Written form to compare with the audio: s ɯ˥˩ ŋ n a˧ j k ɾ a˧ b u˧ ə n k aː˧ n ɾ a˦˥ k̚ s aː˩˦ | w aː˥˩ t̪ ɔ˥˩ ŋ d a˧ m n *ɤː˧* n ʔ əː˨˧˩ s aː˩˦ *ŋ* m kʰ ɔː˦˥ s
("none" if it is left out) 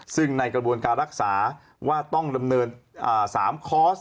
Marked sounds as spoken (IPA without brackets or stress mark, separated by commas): ɤː˧, none